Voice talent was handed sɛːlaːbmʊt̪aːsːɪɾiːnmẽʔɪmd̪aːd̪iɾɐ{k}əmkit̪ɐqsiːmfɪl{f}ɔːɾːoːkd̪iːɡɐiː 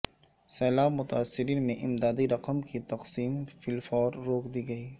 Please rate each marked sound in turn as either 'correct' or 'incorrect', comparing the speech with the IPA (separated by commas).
incorrect, correct